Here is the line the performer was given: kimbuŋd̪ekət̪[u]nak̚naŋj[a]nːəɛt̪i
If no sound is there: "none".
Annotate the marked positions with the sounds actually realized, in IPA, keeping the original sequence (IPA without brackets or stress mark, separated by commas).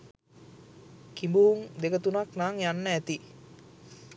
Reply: u, a